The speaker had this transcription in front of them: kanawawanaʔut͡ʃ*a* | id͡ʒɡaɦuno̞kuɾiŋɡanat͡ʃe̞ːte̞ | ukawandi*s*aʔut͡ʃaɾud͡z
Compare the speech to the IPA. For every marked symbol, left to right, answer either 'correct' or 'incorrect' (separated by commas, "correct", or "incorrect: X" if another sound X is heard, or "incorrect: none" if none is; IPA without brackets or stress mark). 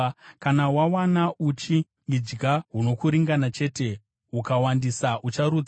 incorrect: i, correct